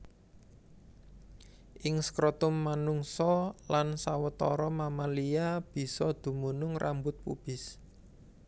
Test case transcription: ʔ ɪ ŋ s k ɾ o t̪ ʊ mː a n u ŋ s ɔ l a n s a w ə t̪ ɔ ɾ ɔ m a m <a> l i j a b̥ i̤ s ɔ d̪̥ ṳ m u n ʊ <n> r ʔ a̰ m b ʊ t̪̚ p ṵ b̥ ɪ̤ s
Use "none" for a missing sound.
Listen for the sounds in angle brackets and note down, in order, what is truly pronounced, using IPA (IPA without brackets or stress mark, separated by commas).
a, ŋ